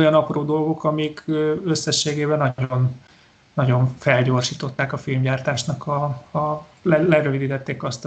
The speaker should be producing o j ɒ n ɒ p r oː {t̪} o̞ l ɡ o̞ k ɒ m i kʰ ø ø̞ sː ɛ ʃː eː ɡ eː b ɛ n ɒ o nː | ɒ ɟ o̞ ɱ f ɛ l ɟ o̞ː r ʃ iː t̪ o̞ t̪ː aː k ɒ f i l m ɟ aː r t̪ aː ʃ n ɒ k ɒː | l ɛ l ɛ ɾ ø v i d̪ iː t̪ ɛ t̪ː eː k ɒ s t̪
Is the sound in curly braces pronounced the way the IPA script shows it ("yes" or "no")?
no